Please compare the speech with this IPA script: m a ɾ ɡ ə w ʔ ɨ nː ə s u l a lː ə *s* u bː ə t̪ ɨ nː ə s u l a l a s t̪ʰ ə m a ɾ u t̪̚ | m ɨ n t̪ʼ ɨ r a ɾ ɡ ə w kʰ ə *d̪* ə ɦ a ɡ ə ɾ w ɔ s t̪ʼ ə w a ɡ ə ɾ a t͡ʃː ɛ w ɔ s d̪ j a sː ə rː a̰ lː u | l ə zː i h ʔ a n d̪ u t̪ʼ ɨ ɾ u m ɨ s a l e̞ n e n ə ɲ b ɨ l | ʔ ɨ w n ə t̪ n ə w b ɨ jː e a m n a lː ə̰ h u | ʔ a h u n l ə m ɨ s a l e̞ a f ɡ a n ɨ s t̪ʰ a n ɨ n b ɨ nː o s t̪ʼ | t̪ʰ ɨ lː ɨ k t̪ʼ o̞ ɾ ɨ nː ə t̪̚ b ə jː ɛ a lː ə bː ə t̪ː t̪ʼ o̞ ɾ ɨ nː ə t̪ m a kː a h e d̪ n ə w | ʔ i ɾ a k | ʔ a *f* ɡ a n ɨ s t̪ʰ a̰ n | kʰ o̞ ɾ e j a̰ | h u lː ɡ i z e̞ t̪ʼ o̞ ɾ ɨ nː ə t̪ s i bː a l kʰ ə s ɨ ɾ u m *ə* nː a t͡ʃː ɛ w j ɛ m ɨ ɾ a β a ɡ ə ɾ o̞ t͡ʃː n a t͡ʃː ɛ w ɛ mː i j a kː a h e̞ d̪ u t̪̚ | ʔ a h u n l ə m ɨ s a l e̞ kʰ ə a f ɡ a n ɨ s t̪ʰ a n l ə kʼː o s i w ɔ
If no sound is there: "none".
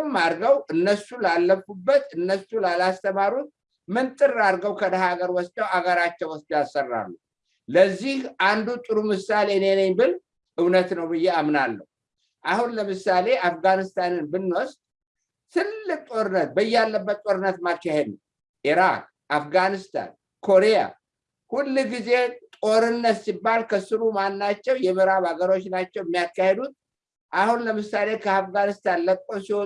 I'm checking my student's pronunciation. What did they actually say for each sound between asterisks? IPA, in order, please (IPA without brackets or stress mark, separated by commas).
f, d̪, f, a